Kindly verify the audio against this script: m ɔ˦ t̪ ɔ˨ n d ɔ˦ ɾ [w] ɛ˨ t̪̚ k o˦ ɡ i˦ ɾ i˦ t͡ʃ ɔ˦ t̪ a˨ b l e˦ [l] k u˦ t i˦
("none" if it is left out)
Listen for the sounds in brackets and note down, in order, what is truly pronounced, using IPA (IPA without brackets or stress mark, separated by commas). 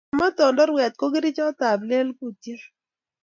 w, l